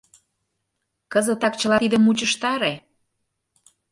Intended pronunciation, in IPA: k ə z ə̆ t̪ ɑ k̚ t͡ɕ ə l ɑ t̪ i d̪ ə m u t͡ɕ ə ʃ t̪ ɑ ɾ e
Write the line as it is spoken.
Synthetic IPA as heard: k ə z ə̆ t̪ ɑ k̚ t͡ɕ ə l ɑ t̪ i d̪ ə m u t͡ɕ ə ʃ t̪ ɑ ɾ e